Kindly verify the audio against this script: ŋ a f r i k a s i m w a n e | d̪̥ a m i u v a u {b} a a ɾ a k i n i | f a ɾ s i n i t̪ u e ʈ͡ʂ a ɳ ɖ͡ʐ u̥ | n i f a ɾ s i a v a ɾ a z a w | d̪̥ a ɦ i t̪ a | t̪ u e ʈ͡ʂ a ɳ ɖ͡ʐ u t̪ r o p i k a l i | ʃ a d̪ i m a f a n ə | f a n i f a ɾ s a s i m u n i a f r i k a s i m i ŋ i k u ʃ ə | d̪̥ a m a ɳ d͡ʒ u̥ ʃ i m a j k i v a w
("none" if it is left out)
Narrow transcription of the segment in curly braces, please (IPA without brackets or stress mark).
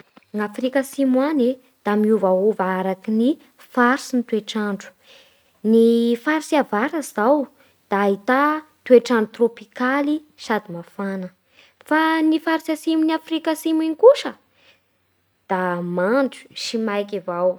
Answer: v